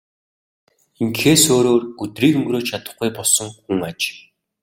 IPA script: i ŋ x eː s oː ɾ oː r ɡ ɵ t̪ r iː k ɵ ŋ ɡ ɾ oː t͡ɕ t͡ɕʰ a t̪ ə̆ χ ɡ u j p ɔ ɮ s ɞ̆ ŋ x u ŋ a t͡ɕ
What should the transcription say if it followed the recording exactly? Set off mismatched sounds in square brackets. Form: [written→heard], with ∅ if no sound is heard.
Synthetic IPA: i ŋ x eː s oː ɾ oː r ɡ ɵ t̪ r iː k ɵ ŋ ɡ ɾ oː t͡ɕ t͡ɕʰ a t̪ ə̆ χ ɡ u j p ɔ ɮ s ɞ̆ ŋ x u ŋ a t͡ɕ